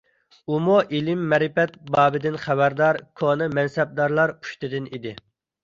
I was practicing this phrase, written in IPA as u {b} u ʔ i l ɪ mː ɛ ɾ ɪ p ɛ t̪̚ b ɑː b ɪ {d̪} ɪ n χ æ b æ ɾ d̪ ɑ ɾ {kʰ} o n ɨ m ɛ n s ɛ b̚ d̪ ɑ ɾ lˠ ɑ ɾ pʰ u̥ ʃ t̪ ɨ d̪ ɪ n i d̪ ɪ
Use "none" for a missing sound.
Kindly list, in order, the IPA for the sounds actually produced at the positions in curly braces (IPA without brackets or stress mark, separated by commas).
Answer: m, d̪, kʰ